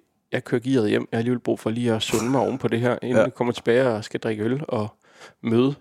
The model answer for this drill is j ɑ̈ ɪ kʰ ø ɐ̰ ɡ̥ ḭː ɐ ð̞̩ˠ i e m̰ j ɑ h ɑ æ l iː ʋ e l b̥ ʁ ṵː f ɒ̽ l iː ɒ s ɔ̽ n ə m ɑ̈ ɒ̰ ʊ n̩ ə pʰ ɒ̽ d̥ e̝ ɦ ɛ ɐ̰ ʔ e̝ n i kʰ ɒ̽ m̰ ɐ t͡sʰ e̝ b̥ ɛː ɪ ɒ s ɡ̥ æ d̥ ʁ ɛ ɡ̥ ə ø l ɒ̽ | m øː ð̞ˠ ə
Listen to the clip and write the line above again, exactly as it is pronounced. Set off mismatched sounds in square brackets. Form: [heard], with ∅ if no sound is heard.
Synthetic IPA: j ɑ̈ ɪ kʰ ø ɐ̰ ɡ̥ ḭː ɐ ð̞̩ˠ [j] e m̰ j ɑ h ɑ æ l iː ʋ e l b̥ ʁ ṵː f ɒ̽ l iː ɒ s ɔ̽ n ə m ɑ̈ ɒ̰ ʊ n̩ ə pʰ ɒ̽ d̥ e̝ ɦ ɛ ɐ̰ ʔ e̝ n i kʰ ɒ̽ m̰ ɐ t͡sʰ e̝ b̥ ɛː ɪ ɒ s ɡ̥ æ d̥ ʁ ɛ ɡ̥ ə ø l ɒ̽ | m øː ð̞ˠ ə